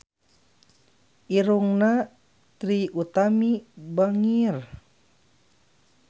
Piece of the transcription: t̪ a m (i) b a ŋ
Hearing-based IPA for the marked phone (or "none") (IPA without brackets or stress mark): i